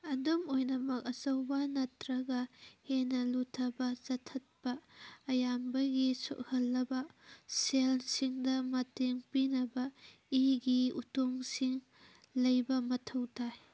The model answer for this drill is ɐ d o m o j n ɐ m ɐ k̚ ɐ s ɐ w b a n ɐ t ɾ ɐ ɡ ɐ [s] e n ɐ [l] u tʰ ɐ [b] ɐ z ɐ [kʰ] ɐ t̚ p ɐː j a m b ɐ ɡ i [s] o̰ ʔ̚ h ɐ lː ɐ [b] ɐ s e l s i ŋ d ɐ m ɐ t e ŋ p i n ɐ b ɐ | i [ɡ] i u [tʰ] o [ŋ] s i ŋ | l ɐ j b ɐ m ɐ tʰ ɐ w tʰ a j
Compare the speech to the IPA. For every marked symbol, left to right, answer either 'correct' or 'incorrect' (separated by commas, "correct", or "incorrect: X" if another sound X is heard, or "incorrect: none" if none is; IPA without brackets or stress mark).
incorrect: h, correct, correct, incorrect: tʰ, correct, correct, correct, incorrect: t, correct